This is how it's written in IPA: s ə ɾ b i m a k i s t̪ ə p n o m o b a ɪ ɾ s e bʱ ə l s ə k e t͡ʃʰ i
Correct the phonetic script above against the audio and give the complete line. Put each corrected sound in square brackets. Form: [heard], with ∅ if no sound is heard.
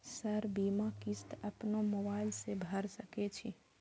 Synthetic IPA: s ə ɾ b i m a k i s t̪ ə p n o m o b a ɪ [l] s e bʱ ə [ɾ] s ə k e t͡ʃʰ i